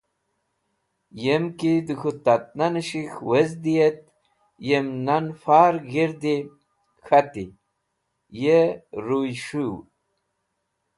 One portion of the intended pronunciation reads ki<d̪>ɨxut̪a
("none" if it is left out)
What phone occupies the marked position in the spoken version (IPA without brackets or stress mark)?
d̪